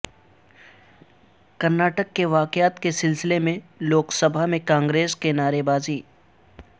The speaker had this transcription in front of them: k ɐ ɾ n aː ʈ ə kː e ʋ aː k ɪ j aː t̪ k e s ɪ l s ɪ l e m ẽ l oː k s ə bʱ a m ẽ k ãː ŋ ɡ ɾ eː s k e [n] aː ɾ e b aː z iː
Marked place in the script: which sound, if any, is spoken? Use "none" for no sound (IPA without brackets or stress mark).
n